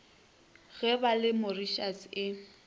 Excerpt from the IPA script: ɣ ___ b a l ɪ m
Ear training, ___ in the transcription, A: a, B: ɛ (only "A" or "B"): B